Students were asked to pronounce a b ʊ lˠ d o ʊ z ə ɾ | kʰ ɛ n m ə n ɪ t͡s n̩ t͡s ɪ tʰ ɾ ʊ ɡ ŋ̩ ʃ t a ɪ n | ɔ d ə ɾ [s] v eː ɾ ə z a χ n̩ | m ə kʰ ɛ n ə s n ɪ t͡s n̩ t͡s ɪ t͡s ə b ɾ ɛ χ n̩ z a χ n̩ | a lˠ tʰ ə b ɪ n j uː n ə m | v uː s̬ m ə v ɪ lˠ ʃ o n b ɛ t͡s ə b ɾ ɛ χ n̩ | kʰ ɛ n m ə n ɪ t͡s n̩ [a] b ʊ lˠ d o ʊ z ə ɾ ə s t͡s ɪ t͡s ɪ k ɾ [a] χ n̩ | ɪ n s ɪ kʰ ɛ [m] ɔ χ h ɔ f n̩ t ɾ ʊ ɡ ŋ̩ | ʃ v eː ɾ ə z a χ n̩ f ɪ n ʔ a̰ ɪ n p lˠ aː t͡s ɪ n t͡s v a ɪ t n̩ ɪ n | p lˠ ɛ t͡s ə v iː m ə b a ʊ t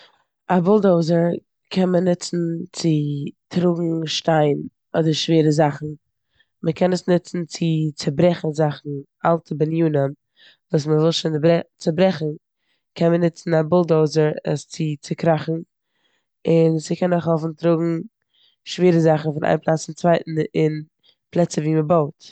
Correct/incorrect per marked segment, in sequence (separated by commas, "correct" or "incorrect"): incorrect, correct, correct, incorrect